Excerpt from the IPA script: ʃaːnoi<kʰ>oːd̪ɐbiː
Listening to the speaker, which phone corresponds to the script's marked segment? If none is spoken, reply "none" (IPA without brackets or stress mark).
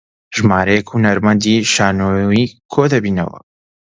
kʰ